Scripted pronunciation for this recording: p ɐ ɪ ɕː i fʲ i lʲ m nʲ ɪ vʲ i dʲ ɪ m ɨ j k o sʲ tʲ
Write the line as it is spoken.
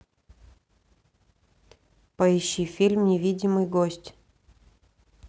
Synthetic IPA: p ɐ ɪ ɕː i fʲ i lʲ m nʲ ɪ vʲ i dʲ ɪ m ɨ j ɡ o sʲ tʲ